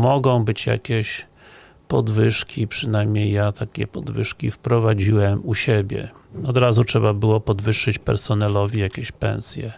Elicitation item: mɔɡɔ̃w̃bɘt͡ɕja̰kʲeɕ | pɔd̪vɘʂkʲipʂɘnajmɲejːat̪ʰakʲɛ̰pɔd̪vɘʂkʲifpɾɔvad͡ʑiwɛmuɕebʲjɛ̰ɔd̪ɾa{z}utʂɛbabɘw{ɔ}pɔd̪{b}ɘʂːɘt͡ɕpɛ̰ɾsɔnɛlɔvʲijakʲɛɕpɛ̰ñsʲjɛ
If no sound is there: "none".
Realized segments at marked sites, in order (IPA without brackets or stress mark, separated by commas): z, ɔ, v